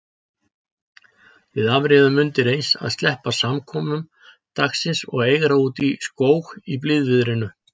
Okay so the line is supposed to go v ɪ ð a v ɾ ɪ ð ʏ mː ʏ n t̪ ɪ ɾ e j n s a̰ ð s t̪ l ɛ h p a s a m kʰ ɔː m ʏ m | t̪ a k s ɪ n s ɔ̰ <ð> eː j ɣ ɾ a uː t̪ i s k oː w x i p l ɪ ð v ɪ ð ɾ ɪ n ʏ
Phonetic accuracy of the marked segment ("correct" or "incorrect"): incorrect